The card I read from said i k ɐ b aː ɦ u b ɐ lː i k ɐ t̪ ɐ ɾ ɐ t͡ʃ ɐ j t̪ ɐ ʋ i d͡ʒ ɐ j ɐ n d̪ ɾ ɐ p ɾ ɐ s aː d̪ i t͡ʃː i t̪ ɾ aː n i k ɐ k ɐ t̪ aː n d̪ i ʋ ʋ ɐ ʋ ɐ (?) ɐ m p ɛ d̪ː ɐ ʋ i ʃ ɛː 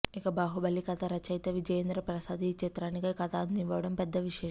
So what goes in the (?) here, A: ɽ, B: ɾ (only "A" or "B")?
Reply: A